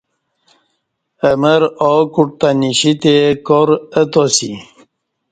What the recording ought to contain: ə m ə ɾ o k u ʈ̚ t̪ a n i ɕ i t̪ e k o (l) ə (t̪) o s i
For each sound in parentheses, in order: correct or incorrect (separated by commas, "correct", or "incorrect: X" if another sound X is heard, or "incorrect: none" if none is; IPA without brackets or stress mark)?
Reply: incorrect: ɾ, correct